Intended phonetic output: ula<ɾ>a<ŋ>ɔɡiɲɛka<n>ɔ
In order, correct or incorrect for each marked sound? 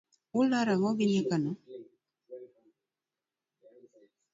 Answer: correct, correct, correct

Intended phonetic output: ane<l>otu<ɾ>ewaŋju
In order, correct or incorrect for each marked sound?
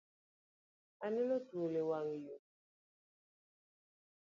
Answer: correct, incorrect: l

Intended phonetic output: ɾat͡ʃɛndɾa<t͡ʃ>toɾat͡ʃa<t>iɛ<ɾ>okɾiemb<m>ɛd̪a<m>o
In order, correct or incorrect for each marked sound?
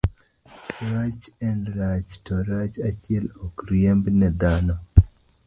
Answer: correct, incorrect: t͡ʃ, incorrect: l, incorrect: n, incorrect: n

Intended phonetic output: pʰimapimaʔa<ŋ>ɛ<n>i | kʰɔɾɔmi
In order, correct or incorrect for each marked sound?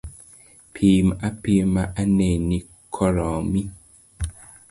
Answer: incorrect: n, correct

